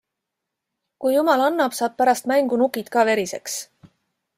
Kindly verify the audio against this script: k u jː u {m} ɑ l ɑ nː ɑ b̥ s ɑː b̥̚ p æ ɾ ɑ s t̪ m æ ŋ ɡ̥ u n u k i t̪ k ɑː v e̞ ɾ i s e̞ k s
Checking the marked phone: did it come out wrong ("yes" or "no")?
no